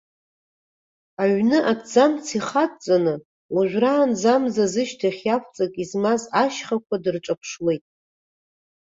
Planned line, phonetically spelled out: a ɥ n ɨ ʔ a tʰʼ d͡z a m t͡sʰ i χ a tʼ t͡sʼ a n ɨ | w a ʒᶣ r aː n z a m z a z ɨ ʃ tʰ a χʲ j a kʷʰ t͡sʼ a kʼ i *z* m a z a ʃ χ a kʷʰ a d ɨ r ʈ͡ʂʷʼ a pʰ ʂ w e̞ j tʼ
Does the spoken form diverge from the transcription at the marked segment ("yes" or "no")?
no